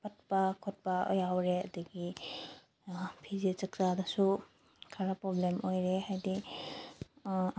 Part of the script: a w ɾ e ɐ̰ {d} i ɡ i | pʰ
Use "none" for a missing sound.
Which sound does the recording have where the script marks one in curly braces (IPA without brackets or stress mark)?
d